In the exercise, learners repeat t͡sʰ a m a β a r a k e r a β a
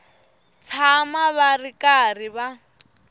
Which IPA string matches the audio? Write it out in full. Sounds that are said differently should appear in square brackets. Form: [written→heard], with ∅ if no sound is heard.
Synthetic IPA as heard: t͡sʰ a m a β a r [a→i] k [e→a] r [a→i] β a